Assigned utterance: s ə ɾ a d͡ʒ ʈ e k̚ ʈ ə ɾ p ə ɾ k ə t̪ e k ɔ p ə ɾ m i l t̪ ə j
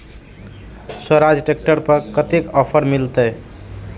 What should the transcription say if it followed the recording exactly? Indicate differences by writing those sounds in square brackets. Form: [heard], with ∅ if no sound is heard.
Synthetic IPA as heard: s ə ɾ a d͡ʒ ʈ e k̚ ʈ ə ɾ p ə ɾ k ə t̪ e k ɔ [pʰ] ə ɾ m i l t̪ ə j